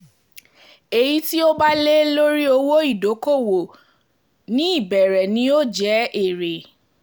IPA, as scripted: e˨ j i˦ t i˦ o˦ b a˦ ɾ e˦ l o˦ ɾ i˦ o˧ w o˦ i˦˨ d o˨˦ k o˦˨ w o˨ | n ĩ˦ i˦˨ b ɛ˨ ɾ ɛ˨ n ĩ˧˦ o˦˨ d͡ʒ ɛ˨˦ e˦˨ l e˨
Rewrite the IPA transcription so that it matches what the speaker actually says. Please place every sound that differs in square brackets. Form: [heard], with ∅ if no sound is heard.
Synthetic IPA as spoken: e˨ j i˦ t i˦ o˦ b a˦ [l] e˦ l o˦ ɾ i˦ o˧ w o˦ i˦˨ d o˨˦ k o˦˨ w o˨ | n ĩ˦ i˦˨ b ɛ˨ ɾ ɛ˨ n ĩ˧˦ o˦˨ d͡ʒ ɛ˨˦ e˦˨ [ɾ] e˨